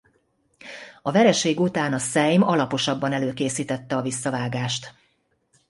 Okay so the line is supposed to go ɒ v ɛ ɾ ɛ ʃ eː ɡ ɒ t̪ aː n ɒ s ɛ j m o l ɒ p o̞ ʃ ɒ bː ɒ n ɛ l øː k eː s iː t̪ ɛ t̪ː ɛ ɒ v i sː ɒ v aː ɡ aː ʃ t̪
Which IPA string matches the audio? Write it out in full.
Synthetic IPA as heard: ɒ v ɛ ɾ ɛ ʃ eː ɡ u t̪ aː n ɒ s ɛ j m ɒ l ɒ p o̞ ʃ ɒ bː ɒ n ɛ l øː k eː s iː t̪ ɛ t̪ː ɛ ɒ v i sː ɒ v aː ɡ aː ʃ t̪